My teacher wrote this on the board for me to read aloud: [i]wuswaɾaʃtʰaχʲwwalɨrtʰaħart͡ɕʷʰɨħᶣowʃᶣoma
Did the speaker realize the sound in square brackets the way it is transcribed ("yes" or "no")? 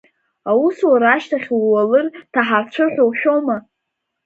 no